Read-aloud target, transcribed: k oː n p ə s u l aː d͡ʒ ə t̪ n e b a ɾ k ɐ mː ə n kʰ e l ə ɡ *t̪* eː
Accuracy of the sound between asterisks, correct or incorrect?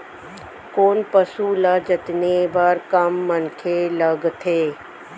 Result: incorrect